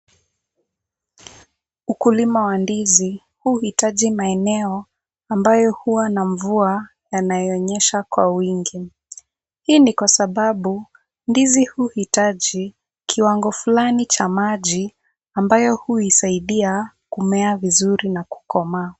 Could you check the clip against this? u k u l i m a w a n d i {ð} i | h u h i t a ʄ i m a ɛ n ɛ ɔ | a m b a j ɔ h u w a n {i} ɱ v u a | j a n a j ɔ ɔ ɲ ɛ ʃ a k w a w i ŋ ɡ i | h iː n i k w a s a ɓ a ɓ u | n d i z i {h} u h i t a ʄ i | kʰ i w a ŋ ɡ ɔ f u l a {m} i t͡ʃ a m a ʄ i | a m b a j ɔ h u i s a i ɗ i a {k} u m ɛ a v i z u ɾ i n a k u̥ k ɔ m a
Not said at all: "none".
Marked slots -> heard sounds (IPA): z, a, h, n, k

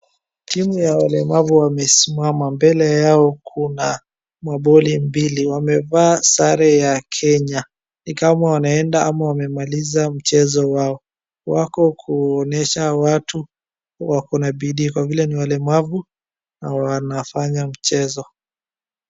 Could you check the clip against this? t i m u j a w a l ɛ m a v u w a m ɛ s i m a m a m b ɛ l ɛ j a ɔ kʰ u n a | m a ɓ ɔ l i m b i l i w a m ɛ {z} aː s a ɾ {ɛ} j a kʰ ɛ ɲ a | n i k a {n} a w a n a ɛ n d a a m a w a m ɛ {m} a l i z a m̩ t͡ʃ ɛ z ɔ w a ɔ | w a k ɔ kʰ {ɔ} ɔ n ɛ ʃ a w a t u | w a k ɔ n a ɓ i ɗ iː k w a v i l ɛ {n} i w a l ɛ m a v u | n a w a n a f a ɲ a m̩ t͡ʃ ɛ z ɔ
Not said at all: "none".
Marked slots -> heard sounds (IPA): v, ɛ, m, m, u, n

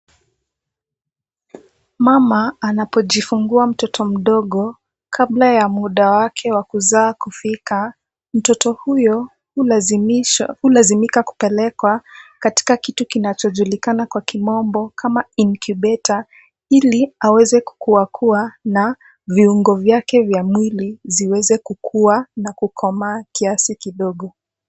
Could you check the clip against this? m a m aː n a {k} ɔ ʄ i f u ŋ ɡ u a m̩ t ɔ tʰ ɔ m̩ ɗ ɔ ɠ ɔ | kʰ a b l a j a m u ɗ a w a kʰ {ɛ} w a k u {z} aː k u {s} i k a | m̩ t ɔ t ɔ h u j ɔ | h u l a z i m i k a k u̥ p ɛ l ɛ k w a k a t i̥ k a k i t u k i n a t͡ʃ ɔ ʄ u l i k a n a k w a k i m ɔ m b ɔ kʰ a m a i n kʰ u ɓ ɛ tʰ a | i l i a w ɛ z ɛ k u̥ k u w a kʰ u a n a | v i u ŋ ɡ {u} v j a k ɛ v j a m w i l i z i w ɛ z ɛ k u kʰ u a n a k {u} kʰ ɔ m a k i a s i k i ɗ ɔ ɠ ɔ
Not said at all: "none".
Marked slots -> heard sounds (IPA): p, ɛ, z, f, ɔ, u

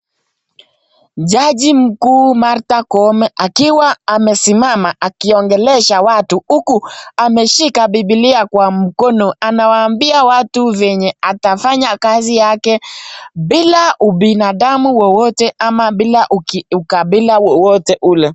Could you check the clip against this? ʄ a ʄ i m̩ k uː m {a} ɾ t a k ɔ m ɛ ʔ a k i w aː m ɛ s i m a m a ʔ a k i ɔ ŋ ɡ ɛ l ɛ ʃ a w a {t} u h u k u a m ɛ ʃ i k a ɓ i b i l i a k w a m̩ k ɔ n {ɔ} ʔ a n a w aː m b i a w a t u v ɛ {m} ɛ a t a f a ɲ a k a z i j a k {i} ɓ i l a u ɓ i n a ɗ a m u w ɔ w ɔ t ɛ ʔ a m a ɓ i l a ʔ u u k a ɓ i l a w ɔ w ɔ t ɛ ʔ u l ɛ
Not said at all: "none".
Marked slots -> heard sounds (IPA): a, t, ɔ, ɲ, ɛ

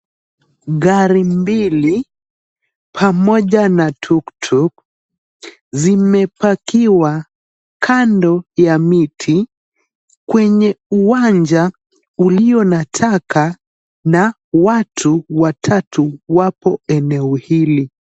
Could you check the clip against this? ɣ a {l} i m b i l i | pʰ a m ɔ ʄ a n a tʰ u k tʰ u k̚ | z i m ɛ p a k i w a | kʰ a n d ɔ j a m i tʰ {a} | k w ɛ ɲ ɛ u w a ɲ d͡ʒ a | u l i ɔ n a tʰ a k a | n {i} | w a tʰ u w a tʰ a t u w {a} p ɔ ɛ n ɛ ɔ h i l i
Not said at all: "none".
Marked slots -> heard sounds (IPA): ɾ, i, a, a

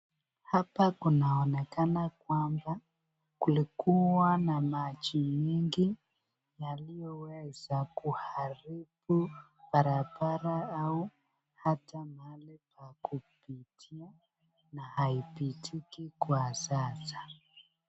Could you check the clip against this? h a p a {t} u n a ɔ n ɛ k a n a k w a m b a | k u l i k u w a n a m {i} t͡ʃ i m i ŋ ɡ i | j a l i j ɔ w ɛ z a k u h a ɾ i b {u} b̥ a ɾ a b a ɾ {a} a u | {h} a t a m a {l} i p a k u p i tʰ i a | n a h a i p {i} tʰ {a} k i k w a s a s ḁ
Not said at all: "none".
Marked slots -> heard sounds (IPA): k, a, u, a, h, l, i, i

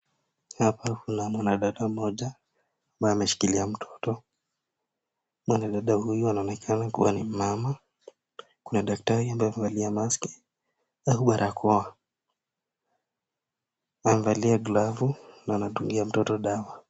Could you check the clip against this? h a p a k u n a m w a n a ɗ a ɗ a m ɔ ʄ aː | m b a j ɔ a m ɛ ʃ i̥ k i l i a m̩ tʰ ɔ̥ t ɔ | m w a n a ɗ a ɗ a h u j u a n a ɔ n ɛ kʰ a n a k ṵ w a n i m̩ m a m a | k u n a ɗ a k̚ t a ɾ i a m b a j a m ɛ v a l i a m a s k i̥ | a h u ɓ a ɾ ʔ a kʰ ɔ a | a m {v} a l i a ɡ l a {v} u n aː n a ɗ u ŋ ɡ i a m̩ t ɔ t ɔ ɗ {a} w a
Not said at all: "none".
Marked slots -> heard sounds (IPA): v, v, a

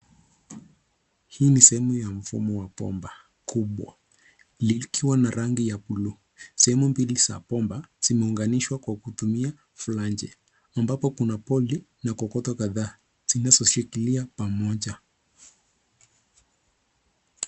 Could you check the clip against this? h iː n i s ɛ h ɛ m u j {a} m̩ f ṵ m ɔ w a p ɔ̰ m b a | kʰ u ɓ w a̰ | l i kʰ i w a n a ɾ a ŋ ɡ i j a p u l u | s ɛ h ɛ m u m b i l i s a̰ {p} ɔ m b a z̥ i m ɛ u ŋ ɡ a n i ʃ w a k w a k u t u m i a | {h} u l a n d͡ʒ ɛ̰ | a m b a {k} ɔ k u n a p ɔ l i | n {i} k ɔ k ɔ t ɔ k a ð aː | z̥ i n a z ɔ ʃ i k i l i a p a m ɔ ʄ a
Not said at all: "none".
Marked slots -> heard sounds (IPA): a, p, f, p, a

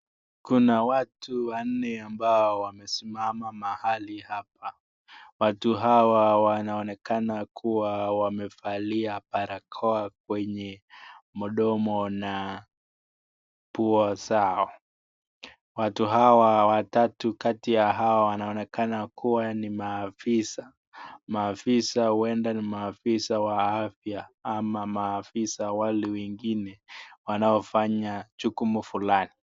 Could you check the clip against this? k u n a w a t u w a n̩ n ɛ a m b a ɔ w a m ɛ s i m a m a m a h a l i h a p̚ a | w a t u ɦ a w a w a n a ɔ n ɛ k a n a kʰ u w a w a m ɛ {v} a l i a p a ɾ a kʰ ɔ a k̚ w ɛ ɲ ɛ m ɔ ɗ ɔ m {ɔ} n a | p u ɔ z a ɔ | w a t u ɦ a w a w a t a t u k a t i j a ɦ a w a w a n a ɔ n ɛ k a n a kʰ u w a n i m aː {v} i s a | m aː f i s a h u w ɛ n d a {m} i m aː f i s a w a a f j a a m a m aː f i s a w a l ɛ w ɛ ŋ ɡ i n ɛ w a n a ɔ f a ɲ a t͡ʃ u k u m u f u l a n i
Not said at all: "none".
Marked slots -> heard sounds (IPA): f, ɔ, f, n

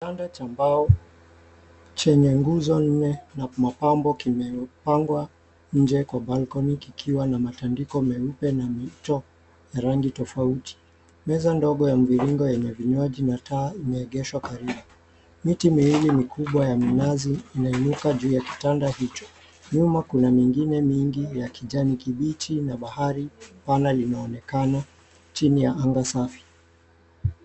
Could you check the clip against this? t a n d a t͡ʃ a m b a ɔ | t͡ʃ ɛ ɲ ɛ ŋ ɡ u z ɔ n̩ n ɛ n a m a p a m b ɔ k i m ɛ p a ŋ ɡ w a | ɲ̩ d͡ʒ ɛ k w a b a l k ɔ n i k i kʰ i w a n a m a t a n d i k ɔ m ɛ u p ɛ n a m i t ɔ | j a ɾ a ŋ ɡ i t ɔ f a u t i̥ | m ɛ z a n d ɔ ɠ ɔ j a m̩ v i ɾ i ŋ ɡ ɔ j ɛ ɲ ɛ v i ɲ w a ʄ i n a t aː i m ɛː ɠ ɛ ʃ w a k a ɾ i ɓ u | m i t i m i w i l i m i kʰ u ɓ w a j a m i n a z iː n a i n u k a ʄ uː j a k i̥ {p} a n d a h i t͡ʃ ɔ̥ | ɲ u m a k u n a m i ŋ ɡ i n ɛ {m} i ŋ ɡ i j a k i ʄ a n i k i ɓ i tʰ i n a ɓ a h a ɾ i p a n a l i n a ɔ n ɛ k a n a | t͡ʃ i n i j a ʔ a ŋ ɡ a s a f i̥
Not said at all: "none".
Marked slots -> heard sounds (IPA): t, m

